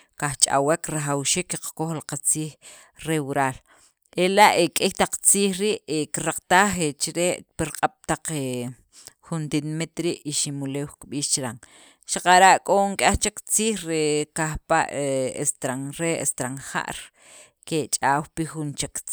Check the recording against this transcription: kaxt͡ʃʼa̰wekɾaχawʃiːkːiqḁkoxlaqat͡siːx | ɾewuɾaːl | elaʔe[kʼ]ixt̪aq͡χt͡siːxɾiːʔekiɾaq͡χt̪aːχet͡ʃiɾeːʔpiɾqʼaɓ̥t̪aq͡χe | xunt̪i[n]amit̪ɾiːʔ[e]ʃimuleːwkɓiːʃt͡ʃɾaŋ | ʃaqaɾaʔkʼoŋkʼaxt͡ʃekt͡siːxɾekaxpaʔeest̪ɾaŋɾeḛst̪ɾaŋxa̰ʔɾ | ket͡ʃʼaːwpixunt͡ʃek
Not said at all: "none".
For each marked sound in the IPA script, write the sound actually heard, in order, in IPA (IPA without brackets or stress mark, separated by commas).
kʼ, n, i